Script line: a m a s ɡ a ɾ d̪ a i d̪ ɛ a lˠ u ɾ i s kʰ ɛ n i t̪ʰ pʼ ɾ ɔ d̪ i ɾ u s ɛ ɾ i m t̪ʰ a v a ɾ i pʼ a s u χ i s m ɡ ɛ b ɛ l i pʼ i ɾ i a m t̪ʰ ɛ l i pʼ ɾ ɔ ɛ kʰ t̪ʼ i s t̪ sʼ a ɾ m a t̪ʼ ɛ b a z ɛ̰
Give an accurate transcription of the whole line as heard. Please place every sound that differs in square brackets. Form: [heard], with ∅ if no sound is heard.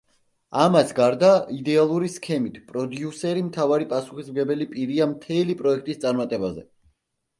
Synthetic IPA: a m a s ɡ a ɾ d̪ a i d̪ ɛ a lˠ u ɾ i s kʰ ɛ [m] i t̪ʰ pʼ ɾ ɔ d̪ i [∅] u s ɛ ɾ i m t̪ʰ a v a ɾ i pʼ a s u χ i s m ɡ ɛ b ɛ l i pʼ i ɾ i a m t̪ʰ ɛ l i pʼ ɾ ɔ ɛ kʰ t̪ʼ i s t̪ sʼ a ɾ m a t̪ʼ ɛ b a z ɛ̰